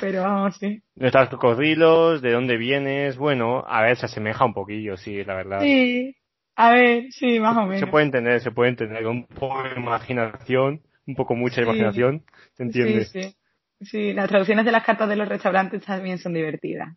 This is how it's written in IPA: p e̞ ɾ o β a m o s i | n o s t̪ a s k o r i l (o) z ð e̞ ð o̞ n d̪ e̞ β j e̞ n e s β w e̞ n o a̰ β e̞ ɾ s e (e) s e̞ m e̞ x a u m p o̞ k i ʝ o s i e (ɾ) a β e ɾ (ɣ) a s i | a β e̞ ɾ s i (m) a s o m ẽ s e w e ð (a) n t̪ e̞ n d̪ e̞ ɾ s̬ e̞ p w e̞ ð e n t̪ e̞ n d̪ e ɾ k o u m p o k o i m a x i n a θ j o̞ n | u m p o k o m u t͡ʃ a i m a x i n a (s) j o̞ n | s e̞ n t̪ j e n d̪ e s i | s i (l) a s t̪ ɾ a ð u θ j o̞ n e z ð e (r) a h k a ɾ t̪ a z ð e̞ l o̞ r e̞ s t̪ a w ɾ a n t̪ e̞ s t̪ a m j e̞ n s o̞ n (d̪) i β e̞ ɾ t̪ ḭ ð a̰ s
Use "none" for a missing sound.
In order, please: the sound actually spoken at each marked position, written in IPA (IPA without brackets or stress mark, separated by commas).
o, a, l, ð, m, e, θ, l, l, d̪